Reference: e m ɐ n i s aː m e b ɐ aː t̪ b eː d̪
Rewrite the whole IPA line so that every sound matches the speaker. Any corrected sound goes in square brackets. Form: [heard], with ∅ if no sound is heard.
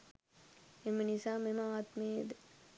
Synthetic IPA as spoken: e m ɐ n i s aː m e [m] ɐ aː t̪ [m] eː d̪